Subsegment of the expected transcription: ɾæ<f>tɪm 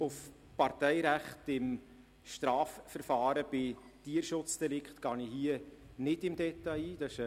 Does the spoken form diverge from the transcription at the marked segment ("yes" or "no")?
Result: yes